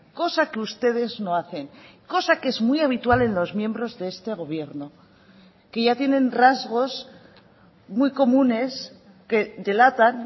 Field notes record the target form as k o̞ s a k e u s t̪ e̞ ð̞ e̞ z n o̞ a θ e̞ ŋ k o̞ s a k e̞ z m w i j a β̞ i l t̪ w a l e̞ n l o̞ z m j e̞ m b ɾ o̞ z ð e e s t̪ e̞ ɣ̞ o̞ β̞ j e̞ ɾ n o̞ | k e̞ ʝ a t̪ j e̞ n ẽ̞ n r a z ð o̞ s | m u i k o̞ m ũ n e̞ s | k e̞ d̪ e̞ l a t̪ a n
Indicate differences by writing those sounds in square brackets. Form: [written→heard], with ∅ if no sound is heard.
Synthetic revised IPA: k o̞ s a k e u s t̪ e̞ ð̞ e̞ z n o̞ a θ e̞ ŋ k o̞ s a k e̞ z m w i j a β̞ i [l→∅] t̪ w a l e̞ n l o̞ z m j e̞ m b ɾ o̞ z ð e e s t̪ e̞ ɣ̞ o̞ β̞ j e̞ ɾ n o̞ | k e̞ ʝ a t̪ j e̞ n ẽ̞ n r a z [ð→ɣ] o̞ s | m u [i→j] k o̞ m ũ n e̞ s | k e̞ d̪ e̞ l a t̪ a n